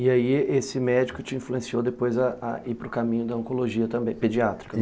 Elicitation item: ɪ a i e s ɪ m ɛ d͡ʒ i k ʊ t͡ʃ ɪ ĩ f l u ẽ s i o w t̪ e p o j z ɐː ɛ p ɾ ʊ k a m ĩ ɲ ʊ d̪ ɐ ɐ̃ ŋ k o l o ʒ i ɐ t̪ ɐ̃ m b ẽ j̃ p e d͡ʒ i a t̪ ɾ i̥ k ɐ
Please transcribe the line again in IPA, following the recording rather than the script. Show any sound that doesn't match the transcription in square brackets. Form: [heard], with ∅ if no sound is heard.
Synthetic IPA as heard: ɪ a i e s ɪ m ɛ d͡ʒ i k ʊ t͡ʃ ɪ ĩ f l u ẽ s i o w [d̪] e p o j z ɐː [i] p ɾ ʊ k a m ĩ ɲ ʊ d̪ ɐ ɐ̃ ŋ k o l o ʒ i ɐ t̪ ɐ̃ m b ẽ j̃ p e d͡ʒ i a t̪ ɾ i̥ k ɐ